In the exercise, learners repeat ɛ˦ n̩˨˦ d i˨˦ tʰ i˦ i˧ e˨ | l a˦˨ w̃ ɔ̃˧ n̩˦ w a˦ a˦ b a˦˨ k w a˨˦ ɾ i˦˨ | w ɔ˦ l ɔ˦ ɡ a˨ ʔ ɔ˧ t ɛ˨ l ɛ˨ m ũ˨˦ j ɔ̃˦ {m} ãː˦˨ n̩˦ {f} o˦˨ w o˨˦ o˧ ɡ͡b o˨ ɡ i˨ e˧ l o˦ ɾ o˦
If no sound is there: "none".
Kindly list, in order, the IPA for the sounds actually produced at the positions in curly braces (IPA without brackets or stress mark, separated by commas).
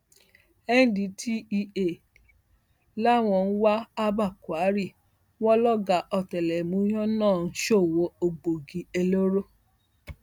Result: n, ʃ